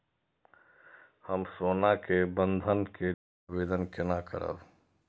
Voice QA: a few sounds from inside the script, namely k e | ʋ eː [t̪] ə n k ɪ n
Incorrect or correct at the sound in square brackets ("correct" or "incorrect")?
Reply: incorrect